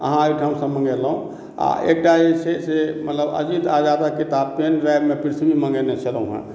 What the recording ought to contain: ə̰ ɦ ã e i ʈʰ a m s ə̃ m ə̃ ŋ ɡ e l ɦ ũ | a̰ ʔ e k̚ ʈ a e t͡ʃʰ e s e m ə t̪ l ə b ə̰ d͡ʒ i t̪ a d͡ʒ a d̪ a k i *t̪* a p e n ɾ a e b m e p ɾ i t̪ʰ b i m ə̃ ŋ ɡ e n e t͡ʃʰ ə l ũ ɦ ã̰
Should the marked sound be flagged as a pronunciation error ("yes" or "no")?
no